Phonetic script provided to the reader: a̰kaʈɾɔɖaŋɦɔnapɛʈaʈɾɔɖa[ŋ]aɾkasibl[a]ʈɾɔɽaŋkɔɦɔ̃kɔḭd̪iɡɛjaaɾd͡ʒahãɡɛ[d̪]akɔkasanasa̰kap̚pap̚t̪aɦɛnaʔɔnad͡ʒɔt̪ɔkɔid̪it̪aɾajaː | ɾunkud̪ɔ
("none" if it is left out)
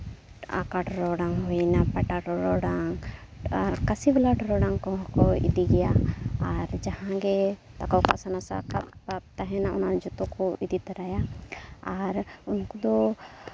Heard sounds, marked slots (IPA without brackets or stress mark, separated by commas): ŋ, a, t̪